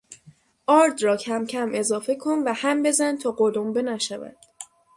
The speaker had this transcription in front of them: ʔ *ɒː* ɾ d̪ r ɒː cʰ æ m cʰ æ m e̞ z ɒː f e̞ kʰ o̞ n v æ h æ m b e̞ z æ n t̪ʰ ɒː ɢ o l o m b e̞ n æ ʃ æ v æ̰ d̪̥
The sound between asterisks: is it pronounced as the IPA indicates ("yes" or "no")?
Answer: yes